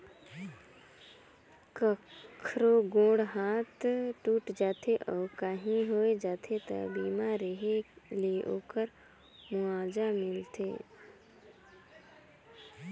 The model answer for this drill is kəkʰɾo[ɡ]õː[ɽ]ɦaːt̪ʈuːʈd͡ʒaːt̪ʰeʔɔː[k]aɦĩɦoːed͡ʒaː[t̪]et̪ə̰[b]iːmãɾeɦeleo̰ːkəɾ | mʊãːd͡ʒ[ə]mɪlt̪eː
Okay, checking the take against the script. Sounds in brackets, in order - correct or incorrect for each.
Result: correct, correct, correct, incorrect: t̪ʰ, correct, incorrect: a

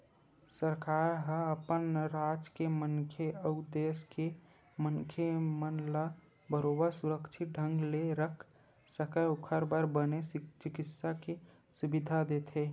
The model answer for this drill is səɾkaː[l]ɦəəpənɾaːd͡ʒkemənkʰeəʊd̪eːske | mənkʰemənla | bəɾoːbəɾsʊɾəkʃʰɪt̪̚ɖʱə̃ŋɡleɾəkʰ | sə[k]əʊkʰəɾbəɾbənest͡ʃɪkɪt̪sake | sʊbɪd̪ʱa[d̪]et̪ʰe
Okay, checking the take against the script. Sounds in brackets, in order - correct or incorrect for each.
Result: incorrect: ɾ, correct, correct

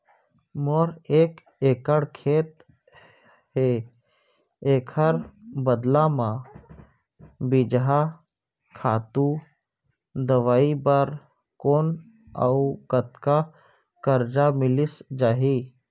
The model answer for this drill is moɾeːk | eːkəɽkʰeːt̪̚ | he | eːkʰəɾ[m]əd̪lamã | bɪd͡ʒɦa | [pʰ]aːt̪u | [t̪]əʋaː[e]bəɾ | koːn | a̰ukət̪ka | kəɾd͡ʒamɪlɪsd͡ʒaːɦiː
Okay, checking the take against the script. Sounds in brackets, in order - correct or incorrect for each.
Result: incorrect: b, incorrect: kʰ, incorrect: d̪, incorrect: i

